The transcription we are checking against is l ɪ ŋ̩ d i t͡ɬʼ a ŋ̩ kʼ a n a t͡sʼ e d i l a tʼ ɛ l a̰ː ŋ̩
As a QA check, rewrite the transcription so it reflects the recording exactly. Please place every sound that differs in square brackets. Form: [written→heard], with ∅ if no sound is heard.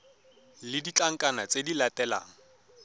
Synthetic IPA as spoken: l ɪ [ŋ̩→∅] d i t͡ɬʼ a ŋ̩ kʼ a n a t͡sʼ e d i l a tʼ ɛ l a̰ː ŋ̩

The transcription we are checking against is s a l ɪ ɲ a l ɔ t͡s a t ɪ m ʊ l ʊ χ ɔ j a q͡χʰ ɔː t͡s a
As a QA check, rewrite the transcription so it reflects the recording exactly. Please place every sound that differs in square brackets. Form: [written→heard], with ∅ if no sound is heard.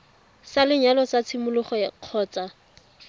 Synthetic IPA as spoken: s a l ɪ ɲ a l ɔ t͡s a [t→t͡sʰ] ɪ m ʊ l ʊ χ ɔ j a q͡χʰ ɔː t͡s a

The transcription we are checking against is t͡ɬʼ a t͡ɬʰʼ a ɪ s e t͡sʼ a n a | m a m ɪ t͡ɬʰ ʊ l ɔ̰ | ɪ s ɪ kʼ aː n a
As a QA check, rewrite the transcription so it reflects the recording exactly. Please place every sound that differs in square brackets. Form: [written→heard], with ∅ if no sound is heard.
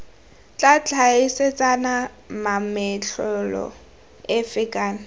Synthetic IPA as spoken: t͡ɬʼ a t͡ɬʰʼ a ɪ s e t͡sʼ a n a | m a m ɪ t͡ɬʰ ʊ l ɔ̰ | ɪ [s→f] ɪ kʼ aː n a

